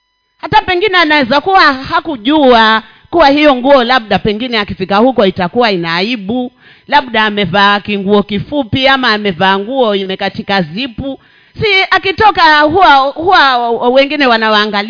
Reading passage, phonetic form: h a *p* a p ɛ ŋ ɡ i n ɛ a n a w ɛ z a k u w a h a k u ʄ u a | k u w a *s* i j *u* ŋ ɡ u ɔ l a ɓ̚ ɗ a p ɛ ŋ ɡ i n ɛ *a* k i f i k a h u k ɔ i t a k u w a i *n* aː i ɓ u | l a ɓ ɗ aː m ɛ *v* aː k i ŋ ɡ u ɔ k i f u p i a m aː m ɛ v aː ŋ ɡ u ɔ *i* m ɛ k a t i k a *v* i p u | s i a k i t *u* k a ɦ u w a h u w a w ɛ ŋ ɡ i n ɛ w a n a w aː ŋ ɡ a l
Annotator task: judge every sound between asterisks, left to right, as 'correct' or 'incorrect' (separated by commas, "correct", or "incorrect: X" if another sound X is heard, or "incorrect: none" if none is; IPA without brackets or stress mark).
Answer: incorrect: t, incorrect: h, incorrect: ɔ, correct, correct, correct, correct, incorrect: z, incorrect: ɔ